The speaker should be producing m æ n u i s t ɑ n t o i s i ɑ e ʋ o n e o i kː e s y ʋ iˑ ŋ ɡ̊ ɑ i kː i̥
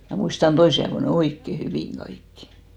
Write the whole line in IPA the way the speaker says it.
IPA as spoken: m æ m u i s t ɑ n t o i s i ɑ e ʋ o n e o i kː e h y ʋ iˑ ŋ ɡ̊ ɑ i kː i̥